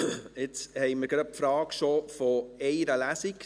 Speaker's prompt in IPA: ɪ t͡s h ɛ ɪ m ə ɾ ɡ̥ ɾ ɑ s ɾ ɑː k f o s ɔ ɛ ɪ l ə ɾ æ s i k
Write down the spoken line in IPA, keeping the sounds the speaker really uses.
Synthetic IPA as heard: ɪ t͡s h ɛ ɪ m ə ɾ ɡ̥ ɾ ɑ f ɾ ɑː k ʃ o f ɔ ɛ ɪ ɾ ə l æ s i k